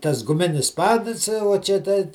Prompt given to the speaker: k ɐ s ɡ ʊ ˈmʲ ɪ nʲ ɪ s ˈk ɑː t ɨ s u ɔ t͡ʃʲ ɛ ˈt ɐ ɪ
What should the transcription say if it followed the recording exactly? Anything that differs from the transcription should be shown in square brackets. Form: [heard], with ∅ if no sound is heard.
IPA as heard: [t] ɐ s ɡ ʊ ˈmʲ ɪ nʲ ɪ s [ˈp] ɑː [d] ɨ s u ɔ t͡ʃʲ ɛ ˈt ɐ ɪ